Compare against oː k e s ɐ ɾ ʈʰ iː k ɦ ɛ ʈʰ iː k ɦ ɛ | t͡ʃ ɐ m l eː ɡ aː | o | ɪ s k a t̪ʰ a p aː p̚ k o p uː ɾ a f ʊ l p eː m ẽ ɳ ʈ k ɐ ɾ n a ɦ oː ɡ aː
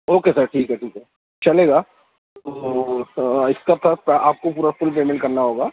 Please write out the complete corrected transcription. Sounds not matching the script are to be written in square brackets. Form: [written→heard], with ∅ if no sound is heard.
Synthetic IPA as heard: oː k e s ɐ ɾ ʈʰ iː k ɦ ɛ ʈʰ iː k ɦ ɛ | t͡ʃ ɐ [m→∅] l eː ɡ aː | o | ɪ s k a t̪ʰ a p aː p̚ k o p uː ɾ a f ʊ l p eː m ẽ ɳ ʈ k ɐ ɾ n a ɦ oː ɡ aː